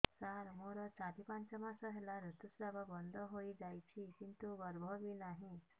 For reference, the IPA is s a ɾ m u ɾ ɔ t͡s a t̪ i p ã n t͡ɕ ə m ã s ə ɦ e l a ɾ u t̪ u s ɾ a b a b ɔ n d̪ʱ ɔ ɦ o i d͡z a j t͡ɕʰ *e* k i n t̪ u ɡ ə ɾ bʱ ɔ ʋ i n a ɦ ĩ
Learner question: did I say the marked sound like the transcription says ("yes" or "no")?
no